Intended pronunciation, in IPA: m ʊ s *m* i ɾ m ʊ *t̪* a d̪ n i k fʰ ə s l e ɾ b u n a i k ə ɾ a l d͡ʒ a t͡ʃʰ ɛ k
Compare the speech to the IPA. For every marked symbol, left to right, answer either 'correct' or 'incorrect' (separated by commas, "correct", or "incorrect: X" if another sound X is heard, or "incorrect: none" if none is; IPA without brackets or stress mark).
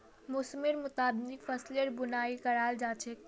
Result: correct, correct